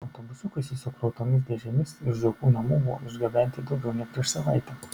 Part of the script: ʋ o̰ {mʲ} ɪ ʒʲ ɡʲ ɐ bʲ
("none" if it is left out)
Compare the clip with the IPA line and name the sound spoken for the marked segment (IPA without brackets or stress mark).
none